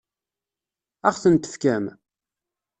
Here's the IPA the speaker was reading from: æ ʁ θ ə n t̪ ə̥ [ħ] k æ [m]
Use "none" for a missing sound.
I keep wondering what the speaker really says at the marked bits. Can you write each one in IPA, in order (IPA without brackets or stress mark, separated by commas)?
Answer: f, m